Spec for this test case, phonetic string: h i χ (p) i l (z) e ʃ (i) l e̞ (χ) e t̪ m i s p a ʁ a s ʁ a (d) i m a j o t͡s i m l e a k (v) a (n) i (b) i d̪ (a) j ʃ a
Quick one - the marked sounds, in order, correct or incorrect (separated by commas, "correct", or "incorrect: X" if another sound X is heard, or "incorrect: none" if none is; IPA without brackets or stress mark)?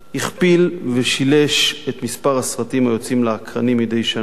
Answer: correct, incorrect: v, correct, incorrect: ʃ, incorrect: t, incorrect: ʁ, correct, incorrect: m, incorrect: e